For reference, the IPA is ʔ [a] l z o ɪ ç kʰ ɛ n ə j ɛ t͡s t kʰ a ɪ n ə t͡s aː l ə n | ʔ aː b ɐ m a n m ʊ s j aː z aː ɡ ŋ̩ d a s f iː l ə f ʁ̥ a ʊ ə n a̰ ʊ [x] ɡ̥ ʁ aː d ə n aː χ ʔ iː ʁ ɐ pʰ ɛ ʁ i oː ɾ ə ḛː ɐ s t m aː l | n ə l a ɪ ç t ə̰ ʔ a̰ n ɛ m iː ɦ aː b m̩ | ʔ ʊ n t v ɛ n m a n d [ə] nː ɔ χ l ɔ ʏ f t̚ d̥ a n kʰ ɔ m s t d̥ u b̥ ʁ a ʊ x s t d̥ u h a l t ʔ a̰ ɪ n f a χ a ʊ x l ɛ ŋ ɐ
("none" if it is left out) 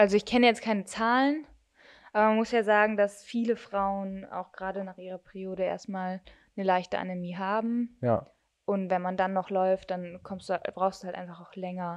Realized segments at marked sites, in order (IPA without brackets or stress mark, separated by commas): a, x, a